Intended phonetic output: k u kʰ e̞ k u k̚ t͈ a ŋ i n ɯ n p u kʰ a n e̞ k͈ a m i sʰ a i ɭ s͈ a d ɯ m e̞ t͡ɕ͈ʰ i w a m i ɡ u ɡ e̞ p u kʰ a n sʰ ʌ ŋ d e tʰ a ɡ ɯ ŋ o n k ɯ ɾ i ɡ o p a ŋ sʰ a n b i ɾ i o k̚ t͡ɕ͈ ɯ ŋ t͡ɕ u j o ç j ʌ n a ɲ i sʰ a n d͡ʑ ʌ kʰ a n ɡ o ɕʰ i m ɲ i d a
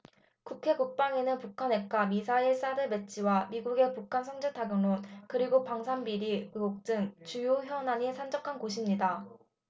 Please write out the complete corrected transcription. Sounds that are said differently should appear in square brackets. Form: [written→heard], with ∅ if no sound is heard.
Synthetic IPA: k u kʰ e̞ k u k̚ [t͈→p͈] a ŋ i n ɯ n p u kʰ a n e̞ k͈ a m i sʰ a i ɭ s͈ a d ɯ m e̞ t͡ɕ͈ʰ i w a m i ɡ u ɡ e̞ p u kʰ a n sʰ ʌ ŋ [d→d͡ʑ] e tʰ a ɡ ɯ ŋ o n k ɯ ɾ i ɡ o p a ŋ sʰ a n b i ɾ i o k̚ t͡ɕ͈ ɯ ŋ t͡ɕ u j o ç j ʌ n a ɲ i sʰ a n d͡ʑ ʌ kʰ a n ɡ o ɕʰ i m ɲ i d a